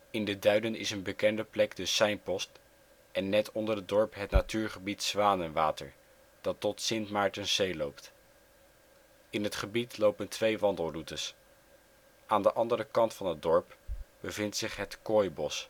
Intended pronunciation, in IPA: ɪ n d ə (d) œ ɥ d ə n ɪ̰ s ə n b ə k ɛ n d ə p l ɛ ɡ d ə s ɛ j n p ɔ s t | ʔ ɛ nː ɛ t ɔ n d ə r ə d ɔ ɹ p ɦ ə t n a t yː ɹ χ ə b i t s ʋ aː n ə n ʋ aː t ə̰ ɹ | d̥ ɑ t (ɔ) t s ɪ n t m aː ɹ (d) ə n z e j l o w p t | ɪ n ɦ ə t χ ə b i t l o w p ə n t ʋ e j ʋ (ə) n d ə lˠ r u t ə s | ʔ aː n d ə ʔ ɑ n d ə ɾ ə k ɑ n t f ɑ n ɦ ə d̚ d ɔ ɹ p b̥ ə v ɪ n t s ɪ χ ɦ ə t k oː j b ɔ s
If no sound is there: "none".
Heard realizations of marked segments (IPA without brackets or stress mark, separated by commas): d, ɔ, t, ɑ